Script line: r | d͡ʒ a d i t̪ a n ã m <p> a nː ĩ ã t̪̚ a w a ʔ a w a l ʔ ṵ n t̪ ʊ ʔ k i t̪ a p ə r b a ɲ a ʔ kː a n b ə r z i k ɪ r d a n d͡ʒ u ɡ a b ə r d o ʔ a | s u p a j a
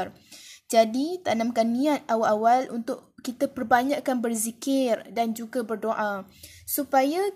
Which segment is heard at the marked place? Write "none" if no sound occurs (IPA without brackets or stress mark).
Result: k